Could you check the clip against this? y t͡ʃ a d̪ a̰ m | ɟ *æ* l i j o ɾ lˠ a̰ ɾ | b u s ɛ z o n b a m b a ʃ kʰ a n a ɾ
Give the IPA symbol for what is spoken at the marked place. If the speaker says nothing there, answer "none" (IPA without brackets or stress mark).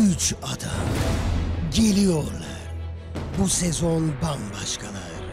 e